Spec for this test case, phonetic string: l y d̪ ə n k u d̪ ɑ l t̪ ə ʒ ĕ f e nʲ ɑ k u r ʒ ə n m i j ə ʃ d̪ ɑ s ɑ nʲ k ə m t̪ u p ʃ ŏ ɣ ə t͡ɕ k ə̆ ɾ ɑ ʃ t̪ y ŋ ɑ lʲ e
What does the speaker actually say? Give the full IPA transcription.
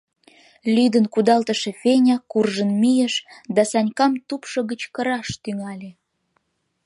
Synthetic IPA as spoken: l y d̪ ə n k u d̪ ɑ l t̪ ə ʃ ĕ f e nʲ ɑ k u r ʒ ə n m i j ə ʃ d̪ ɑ s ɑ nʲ k ɑ m t̪ u p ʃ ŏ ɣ ə t͡ɕ k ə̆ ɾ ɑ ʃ t̪ y ŋ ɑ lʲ e